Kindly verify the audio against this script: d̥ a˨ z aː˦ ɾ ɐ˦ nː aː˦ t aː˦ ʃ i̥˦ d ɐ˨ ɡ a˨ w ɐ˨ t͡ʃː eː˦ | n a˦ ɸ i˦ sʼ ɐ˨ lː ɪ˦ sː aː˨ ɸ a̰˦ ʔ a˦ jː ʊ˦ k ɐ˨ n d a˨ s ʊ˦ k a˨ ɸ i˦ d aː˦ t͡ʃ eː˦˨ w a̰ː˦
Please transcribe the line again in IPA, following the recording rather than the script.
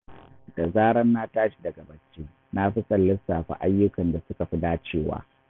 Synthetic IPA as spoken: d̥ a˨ z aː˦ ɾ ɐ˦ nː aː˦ t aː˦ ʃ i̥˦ d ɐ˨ ɡ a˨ b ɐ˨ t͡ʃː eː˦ | n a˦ ɸ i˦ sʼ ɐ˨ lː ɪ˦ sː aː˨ ɸ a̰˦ ʔ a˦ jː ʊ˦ k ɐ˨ n d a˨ s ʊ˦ k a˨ ɸ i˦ d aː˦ t͡ʃ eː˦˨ w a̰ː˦